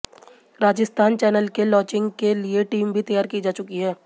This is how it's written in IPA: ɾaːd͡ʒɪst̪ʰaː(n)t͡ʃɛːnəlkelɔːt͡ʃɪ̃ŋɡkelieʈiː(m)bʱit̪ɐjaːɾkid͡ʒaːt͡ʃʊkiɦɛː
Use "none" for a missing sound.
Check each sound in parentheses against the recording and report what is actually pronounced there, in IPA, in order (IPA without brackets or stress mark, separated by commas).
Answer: n, m